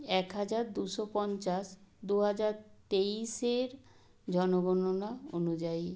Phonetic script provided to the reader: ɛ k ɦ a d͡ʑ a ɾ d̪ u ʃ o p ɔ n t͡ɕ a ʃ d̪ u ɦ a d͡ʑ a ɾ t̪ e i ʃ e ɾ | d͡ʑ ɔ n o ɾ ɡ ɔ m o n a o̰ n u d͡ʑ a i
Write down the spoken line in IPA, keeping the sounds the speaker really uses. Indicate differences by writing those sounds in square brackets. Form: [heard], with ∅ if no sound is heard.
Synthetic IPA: ɛ k ɦ a d͡ʑ a ɾ d̪ u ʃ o p ɔ n t͡ɕ a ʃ d̪ u ɦ a d͡ʑ a ɾ t̪ e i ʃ e ɾ | d͡ʑ ɔ n o [∅] ɡ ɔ [n] o n a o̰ n u d͡ʑ a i

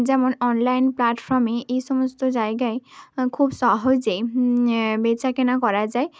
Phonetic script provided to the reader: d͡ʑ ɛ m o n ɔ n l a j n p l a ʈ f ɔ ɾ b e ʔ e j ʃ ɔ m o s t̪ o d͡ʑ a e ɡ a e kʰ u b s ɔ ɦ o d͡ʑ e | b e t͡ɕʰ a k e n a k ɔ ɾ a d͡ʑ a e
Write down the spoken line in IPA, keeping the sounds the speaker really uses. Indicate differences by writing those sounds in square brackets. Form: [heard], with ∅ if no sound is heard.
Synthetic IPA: d͡ʑ ɛ m o n ɔ n l a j n p l a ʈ f ɔ ɾ [m] e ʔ e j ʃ ɔ m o s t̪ o d͡ʑ a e ɡ a e kʰ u b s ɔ ɦ o d͡ʑ e | b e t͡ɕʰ a k e n a k ɔ ɾ a d͡ʑ a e

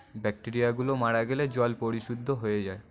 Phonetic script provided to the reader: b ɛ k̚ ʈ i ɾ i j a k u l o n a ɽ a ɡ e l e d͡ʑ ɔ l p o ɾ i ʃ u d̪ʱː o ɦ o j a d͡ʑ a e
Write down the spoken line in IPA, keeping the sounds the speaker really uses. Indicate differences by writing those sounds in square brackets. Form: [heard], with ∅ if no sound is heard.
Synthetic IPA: b ɛ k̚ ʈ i ɾ i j a [ɡ] u l o [m] a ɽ a ɡ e l e d͡ʑ ɔ l p o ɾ i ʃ u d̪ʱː o ɦ o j [e] d͡ʑ a e

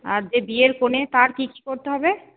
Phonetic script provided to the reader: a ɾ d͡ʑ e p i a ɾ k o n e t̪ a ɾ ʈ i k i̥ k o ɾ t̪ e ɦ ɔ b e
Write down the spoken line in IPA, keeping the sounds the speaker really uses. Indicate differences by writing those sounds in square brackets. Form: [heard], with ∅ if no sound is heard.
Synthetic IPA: a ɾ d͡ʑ e [b] i [e] ɾ k o n e t̪ a ɾ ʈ i k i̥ k o ɾ t̪ e ɦ ɔ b e

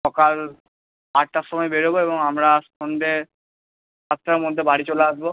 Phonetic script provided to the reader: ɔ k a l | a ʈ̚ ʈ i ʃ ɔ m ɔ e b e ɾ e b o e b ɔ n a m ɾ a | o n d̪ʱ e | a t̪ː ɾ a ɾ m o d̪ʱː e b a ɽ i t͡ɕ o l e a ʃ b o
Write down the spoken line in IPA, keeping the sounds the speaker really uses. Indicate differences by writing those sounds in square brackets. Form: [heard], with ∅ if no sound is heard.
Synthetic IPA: ɔ k a l | a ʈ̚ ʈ [a] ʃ ɔ m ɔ e b e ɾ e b o e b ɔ [ŋ] a m ɾ a | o n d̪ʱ e | a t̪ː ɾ a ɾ m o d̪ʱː e b a ɽ i t͡ɕ o l e a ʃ b o

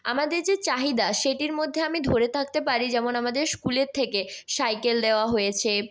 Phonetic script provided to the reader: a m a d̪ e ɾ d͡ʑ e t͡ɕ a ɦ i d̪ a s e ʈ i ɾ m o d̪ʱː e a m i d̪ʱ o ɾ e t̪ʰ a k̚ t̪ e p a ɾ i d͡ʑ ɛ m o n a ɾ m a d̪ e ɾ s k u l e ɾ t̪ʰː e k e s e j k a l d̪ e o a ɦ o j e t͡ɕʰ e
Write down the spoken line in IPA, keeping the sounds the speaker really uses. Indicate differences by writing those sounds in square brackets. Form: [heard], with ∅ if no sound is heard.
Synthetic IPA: a m a d̪ e ɾ d͡ʑ e t͡ɕ a ɦ i d̪ a [ʃ] e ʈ i ɾ m o d̪ʱː e a m i d̪ʱ o ɾ e t̪ʰ a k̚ t̪ e p a ɾ i d͡ʑ ɛ m o n a [∅] m a d̪ e ɾ s k u l e ɾ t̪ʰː e k e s [a] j k [e] l d̪ e o a ɦ o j e t͡ɕʰ e

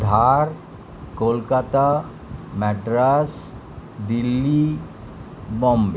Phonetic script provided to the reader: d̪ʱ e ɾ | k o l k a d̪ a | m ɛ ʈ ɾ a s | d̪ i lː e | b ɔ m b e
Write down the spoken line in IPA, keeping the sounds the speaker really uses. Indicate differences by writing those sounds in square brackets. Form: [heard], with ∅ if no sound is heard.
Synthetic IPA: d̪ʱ [a] ɾ | k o l k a [t̪] a | m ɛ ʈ ɾ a s | d̪ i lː [i] | b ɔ m b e

